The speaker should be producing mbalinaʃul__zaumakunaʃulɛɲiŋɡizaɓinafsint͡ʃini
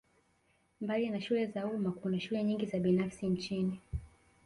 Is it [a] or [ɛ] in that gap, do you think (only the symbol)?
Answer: ɛ